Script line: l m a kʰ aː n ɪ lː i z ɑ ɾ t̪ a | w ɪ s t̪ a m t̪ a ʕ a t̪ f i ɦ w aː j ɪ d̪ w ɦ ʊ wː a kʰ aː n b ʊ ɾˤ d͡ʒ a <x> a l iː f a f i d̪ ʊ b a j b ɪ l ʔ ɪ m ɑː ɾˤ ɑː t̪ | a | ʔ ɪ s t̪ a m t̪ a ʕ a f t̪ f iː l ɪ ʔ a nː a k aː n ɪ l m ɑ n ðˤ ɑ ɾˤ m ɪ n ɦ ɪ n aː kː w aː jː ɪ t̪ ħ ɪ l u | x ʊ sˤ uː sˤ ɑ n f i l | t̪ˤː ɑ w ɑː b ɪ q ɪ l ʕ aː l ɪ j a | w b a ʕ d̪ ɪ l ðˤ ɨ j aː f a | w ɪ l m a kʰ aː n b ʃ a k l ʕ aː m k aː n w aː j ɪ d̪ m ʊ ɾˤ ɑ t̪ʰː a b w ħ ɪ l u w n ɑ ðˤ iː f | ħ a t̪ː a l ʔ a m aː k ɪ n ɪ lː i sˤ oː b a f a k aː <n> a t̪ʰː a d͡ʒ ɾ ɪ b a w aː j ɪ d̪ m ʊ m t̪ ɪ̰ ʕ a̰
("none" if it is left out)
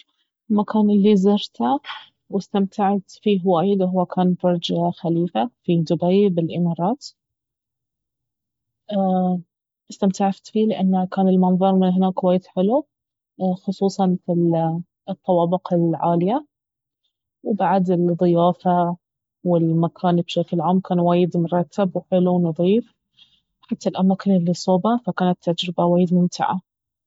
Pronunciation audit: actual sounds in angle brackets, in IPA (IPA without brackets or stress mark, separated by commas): x, n